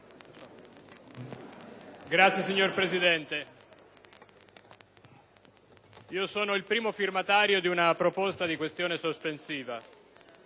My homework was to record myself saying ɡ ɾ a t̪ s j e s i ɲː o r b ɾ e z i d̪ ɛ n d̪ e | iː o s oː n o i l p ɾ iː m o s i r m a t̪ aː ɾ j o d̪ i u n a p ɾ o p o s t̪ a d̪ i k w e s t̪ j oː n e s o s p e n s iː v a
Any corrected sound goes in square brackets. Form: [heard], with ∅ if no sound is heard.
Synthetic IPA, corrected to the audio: ɡ ɾ a t̪ s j e s i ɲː o r [p] ɾ e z i d̪ ɛ n [t̪] e | iː o s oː n o i l p ɾ iː m o [f] i r m a t̪ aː ɾ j o d̪ i u n a p ɾ o p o s t̪ a d̪ i k w e s t̪ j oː n e s o s p e n s iː v a